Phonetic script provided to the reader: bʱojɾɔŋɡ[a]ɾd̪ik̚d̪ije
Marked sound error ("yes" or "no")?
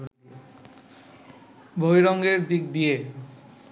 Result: yes